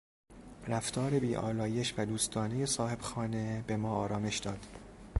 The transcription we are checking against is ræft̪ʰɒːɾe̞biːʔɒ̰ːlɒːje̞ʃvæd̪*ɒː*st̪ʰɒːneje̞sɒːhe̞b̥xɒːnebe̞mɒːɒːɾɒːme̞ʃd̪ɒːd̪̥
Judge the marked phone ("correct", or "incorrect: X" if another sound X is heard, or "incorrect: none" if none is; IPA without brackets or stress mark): incorrect: uː